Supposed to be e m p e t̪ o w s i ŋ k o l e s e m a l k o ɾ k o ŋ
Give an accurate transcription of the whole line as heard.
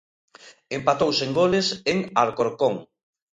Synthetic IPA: e m p a t̪ o w s e ŋ ɡ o l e s e ŋ a ɾ k o ɾ k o ŋ